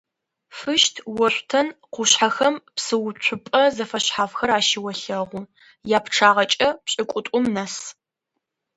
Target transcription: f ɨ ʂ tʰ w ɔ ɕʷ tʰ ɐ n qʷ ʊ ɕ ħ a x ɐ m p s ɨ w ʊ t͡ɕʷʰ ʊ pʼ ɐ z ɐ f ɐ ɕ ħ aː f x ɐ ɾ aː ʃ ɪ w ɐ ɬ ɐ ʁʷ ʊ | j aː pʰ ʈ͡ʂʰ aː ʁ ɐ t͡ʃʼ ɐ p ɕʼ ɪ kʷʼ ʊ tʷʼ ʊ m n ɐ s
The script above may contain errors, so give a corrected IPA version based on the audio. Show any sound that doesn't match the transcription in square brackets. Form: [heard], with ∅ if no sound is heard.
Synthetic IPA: f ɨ [ʃ] tʰ w ɔ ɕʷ tʰ ɐ n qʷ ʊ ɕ ħ a x ɐ m p s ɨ w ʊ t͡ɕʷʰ ʊ pʼ ɐ z ɐ f ɐ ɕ ħ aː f x ɐ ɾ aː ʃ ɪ w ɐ ɬ ɐ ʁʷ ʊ | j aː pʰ ʈ͡ʂʰ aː ʁ ɐ t͡ʃʼ ɐ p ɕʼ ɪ kʷʼ ʊ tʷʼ ʊ m n ɐ s

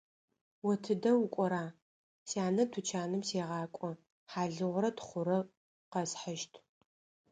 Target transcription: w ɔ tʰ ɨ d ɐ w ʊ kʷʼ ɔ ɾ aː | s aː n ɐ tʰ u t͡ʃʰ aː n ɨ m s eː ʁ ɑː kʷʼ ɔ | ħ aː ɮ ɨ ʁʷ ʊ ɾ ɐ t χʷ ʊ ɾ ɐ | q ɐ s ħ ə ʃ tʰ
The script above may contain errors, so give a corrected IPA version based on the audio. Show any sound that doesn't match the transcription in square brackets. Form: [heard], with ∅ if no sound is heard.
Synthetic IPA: w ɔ tʰ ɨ d ɐ w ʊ kʷʼ ɔ ɾ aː | s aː n ɐ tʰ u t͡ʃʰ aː n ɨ m s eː ʁ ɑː kʷʼ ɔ | ħ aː ɮ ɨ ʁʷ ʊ ɾ ɐ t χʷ ʊ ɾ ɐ | q ɐ s ħ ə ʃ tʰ

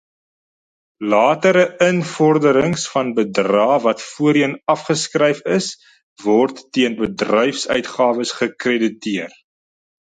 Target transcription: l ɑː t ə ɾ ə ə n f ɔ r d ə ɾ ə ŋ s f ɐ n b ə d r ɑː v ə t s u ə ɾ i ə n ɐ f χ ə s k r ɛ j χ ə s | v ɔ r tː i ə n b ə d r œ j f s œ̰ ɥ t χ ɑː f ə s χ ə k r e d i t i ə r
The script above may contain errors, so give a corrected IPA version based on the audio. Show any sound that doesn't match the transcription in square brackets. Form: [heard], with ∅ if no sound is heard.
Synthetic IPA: l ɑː t ə ɾ ə ə n f ɔ r d ə ɾ ə ŋ s f ɐ n b ə d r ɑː v [ɐ] t [f] u ə ɾ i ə n ɐ f χ ə s k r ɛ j [f] ə s | v ɔ r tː i ə n b ə d r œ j f s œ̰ ɥ t χ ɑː [v] ə s χ ə k r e d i t i ə r

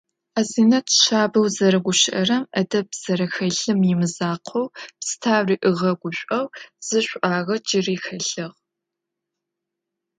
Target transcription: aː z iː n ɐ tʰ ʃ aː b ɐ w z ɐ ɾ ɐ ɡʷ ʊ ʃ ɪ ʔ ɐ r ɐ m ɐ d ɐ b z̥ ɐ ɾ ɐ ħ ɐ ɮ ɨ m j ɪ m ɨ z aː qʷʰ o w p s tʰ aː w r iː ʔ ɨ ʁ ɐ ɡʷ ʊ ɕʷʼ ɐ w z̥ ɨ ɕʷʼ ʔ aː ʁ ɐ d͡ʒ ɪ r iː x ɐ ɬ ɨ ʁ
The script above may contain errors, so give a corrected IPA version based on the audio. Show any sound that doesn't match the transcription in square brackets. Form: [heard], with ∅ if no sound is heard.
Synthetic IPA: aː z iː n ɐ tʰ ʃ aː b ɐ w z ɐ ɾ ɐ ɡʷ ʊ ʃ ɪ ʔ ɐ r ɐ m ɐ d ɐ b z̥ ɐ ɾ ɐ [x] ɐ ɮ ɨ m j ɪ m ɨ z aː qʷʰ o w p s tʰ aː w r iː ʔ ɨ ʁ ɐ ɡʷ ʊ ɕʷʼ ɐ w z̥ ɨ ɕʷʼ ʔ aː ʁ ɐ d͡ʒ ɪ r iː x ɐ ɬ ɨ ʁ

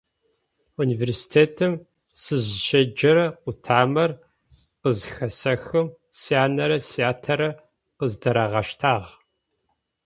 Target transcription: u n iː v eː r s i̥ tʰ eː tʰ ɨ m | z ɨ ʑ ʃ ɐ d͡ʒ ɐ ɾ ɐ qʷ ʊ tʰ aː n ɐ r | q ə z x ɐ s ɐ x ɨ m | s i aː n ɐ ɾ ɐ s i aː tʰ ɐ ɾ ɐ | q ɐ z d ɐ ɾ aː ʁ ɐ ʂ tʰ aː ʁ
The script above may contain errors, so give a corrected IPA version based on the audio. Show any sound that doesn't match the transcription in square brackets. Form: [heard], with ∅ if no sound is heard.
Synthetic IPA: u n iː v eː r s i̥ tʰ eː tʰ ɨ m | [s] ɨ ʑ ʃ ɐ d͡ʒ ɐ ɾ ɐ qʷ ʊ tʰ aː [m] ɐ r | q ə z x ɐ s ɐ x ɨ m | s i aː n ɐ ɾ ɐ s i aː tʰ ɐ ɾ ɐ | q [ə] z d ɐ ɾ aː ʁ ɐ [ʃ] tʰ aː ʁ

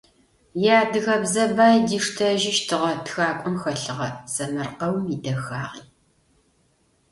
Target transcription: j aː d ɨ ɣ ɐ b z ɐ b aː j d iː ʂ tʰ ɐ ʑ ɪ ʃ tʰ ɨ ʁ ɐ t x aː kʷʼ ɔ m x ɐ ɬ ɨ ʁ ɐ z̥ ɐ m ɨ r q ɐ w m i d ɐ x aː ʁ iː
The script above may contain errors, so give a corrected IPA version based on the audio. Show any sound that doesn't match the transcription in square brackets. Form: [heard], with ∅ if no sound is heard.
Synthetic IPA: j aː d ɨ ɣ ɐ b z ɐ b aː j d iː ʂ tʰ ɐ [ʒ] ɪ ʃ tʰ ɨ ʁ ɐ t x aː kʷʼ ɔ m x ɐ ɬ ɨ ʁ ɐ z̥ ɐ m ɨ r q ɐ w m i d ɐ x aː ʁ iː

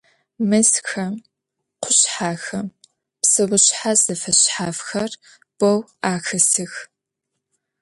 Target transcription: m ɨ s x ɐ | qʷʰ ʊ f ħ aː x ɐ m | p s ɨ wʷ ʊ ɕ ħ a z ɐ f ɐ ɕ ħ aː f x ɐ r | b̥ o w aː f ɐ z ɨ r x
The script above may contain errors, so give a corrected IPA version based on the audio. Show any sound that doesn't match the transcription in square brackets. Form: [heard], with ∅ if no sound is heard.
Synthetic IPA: m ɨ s x ɐ | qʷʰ ʊ [ɕ] ħ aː x ɐ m | p s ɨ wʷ ʊ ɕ ħ a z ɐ f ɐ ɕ ħ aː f x ɐ r | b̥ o w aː [x] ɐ [s] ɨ [∅] x

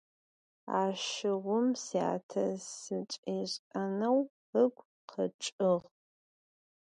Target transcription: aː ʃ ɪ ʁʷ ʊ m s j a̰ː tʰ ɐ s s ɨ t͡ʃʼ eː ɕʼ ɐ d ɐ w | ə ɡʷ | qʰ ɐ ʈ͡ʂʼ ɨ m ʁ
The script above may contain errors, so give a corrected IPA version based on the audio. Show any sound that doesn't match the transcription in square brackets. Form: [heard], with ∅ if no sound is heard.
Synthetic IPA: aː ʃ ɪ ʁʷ ʊ m s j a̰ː tʰ ɐ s s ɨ t͡ʃʼ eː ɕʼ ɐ [n] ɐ w | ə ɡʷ | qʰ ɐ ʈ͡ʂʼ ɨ [∅] ʁ

